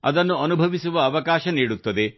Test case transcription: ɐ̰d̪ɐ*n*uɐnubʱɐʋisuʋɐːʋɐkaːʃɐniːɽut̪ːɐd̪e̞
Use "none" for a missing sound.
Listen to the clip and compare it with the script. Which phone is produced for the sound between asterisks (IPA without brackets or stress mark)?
nː